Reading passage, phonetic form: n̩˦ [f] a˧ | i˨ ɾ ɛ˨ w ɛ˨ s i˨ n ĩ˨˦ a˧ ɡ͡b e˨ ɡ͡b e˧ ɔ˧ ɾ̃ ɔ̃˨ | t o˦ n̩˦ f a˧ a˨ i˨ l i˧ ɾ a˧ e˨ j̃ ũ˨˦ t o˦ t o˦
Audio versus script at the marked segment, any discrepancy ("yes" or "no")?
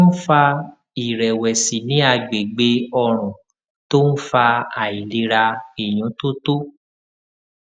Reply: no